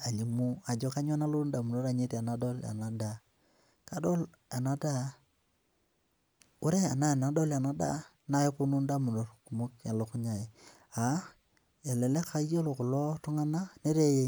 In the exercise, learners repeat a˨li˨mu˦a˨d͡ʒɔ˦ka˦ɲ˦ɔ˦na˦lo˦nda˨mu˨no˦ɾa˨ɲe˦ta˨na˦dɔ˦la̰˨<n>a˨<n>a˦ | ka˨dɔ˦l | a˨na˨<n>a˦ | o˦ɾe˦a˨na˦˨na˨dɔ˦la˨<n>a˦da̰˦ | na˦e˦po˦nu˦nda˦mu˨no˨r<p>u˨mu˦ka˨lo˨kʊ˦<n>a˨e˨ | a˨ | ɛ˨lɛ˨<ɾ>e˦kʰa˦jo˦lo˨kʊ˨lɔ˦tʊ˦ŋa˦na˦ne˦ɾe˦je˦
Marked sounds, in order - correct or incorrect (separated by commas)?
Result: correct, incorrect, incorrect, correct, incorrect, incorrect, incorrect